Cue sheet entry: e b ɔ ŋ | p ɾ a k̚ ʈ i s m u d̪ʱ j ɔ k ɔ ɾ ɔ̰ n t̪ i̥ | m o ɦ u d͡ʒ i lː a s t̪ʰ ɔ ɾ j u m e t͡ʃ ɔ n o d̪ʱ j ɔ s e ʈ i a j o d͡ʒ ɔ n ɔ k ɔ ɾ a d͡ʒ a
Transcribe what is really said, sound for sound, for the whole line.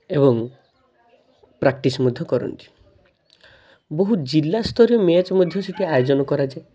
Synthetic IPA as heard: e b ɔ ŋ | p ɾ a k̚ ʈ i s m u d̪ʱ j ɔ k ɔ ɾ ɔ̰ n t̪ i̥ | b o ɦ u d͡ʒ i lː a s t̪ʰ ɔ ɾ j ɔ m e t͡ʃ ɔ m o d̪ʱ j ɔ s e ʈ i a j o d͡ʒ ɔ n ɔ k ɔ ɾ a d͡ʒ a